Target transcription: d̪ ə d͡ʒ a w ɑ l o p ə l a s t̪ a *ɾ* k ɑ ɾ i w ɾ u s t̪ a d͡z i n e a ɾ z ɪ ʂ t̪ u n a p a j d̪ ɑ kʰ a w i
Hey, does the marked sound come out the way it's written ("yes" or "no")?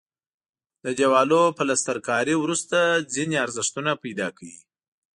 yes